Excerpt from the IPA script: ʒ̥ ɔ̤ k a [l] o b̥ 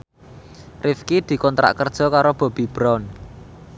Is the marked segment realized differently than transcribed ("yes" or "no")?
yes